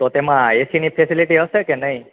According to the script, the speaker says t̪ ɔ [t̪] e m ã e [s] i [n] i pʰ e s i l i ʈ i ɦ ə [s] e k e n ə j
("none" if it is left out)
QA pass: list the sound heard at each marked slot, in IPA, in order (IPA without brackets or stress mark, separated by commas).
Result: t̪, s, n, s